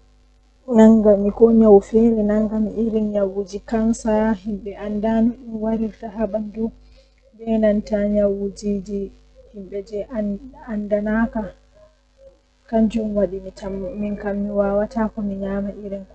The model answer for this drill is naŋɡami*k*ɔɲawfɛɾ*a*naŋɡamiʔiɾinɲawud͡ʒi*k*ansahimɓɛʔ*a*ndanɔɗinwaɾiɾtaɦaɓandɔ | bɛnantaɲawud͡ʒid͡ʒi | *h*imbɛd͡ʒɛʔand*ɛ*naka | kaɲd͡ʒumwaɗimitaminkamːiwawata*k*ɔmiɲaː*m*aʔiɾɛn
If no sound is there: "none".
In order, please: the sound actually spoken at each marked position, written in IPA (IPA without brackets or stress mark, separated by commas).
k, ɛ, k, a, h, a, k, m